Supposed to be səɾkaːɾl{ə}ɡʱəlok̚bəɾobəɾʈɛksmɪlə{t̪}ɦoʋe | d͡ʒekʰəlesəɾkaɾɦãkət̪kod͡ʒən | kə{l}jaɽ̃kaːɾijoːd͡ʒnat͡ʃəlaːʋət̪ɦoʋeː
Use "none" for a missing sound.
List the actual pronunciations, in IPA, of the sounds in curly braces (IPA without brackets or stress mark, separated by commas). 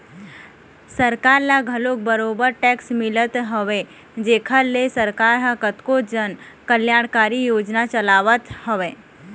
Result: a, t̪, l